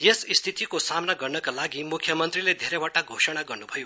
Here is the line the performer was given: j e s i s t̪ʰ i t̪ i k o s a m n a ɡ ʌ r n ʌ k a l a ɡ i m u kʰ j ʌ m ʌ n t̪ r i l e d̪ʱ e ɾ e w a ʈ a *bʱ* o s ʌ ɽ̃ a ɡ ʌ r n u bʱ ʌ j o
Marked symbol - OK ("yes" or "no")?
no